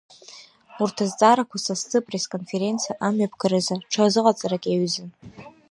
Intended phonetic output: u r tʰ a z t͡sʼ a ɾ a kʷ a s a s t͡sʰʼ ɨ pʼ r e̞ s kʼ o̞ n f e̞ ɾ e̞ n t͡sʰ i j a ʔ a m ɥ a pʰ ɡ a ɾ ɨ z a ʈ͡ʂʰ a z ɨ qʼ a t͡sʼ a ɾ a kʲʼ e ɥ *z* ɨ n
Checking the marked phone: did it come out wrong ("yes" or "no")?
no